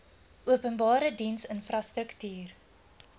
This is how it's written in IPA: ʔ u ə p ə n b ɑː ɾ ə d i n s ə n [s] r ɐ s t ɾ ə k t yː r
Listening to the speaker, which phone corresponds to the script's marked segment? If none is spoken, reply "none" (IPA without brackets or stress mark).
f